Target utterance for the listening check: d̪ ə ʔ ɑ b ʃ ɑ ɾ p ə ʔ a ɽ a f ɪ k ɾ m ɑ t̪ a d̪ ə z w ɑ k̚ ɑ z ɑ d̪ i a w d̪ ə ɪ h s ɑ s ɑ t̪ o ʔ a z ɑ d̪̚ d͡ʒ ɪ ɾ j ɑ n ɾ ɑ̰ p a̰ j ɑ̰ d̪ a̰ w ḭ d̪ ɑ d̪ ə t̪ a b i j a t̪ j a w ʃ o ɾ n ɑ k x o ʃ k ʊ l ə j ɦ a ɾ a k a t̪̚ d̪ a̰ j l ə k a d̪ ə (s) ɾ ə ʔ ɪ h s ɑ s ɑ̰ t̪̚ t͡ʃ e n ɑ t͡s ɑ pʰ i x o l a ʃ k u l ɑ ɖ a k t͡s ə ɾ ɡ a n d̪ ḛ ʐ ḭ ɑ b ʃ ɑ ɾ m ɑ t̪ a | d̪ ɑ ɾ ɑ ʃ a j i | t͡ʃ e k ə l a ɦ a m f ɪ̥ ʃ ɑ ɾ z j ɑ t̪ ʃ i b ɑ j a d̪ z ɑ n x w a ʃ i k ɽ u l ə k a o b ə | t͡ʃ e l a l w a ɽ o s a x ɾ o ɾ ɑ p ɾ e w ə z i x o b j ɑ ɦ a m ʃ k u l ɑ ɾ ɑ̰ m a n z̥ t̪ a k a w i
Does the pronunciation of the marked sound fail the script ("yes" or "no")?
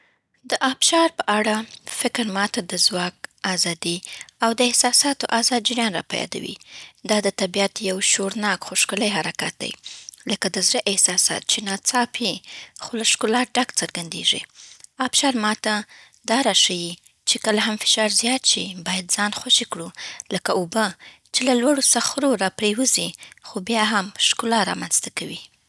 yes